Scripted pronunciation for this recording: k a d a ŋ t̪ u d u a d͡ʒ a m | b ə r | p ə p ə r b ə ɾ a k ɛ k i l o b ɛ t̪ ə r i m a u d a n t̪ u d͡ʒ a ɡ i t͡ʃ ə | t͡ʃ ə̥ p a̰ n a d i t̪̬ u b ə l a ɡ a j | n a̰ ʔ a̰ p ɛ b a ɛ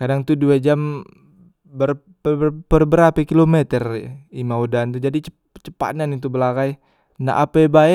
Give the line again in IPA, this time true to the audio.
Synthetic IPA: k a d a ŋ t̪ u d u a d͡ʒ a m | b ə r | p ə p ə r b ə ɾ a p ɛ k i l o m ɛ t̪ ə r i m a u d a n t̪ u d͡ʒ a d i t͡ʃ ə | t͡ʃ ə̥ p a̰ n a n i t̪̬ u b ə l a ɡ a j | n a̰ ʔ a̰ p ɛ b a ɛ